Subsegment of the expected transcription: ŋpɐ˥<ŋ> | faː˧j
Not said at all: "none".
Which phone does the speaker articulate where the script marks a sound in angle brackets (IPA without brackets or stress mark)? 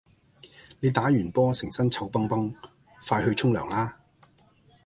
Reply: ŋ